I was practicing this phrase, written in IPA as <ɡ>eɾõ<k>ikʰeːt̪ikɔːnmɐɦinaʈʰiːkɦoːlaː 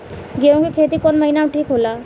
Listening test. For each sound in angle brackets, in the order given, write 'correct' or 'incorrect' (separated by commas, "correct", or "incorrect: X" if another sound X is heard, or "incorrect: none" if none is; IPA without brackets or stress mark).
correct, correct